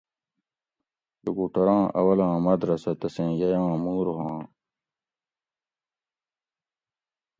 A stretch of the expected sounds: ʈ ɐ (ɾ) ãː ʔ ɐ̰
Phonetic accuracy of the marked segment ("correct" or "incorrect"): correct